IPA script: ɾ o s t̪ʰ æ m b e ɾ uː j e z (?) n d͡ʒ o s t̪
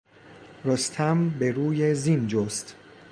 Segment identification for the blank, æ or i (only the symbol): i